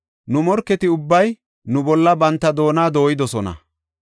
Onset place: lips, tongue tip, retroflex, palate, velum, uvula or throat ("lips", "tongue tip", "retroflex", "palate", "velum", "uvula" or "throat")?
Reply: tongue tip